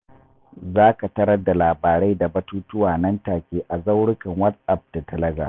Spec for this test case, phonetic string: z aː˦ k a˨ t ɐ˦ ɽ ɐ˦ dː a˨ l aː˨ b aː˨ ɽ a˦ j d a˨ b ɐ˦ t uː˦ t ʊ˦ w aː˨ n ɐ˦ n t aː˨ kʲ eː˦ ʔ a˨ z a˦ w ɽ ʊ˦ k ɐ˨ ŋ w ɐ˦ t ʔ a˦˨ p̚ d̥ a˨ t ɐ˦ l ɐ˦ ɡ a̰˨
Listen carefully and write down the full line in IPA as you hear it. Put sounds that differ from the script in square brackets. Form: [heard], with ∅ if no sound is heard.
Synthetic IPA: z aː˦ k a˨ t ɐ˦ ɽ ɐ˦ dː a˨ l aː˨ b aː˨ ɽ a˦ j d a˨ b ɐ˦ t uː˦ t ʊ˦ w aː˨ n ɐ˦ n t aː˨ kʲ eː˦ ʔ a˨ z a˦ w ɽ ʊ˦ k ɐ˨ ŋ w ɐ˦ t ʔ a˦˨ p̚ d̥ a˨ t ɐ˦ l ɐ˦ ɡ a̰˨